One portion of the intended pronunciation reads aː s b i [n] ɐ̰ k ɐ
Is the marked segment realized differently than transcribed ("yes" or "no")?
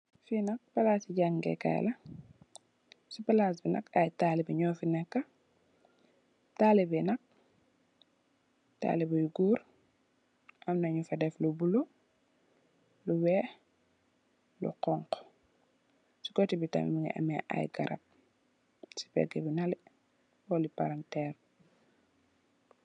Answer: no